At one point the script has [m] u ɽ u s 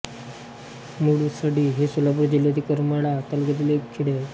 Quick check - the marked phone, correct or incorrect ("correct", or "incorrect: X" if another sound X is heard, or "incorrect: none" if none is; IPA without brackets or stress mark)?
correct